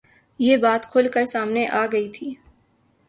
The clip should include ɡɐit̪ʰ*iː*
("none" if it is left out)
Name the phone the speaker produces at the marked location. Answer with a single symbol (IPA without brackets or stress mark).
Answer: iː